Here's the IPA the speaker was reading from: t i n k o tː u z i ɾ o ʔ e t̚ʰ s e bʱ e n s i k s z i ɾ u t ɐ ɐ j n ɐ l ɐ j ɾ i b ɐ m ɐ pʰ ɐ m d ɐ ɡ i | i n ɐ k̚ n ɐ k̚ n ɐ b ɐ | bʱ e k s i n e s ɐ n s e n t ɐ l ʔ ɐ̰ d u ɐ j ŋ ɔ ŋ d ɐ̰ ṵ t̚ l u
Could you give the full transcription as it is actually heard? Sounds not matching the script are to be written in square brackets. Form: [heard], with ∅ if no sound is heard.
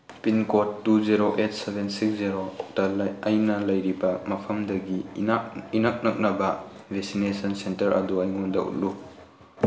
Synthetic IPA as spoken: [p] i n k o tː u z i ɾ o ʔ e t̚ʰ s e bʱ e n s i k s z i ɾ [o] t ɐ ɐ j n ɐ l ɐ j ɾ i b ɐ m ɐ pʰ ɐ m d ɐ ɡ i | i n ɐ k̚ n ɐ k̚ n ɐ b ɐ | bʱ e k s i n e s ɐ n s e n t ɐ [ɾ] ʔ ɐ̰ d u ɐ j ŋ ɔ [n] d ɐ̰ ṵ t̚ l u